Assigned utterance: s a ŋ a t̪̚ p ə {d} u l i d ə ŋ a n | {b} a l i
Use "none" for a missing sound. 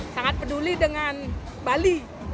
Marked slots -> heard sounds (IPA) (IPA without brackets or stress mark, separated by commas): d, b